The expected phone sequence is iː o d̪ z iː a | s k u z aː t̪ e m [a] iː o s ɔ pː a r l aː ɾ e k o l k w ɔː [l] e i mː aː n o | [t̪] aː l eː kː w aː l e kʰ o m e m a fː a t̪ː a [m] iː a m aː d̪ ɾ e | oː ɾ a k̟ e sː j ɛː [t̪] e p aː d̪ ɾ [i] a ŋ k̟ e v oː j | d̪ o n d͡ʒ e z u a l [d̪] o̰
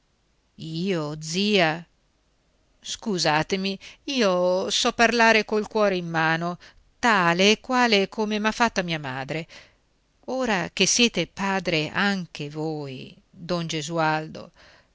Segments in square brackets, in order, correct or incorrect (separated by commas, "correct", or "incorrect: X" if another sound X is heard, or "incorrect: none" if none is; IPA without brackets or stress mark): incorrect: i, incorrect: ɾ, correct, correct, correct, incorrect: e, correct